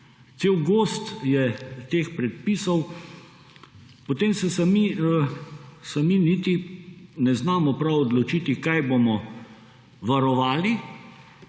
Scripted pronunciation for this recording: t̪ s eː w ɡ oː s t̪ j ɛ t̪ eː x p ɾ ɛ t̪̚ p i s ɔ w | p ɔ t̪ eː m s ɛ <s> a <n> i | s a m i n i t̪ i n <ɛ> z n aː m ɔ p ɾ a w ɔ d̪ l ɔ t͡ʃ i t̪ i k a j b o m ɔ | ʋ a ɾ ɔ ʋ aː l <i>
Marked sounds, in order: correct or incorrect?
correct, incorrect: m, correct, correct

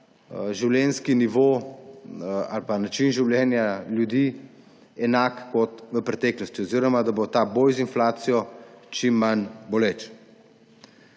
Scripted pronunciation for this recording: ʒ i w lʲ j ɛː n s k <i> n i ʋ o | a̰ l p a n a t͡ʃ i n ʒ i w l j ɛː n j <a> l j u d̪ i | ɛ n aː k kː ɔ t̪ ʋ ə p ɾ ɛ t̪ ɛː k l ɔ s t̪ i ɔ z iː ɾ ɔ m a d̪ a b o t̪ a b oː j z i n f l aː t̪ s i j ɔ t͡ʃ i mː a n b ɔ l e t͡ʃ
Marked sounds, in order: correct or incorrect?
correct, correct

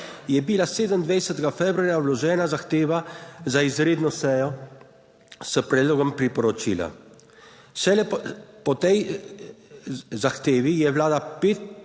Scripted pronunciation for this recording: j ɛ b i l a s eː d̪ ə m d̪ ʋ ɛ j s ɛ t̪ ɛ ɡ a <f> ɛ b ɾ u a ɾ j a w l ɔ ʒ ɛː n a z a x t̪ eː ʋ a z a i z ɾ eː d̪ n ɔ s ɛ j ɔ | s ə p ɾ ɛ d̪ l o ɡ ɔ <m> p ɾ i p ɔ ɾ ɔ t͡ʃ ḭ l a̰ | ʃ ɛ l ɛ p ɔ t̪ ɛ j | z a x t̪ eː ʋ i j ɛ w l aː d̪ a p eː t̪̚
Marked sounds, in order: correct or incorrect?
correct, correct

